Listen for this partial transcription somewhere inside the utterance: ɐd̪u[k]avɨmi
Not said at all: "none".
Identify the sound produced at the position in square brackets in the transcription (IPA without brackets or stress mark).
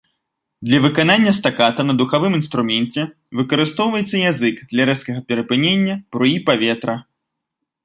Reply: x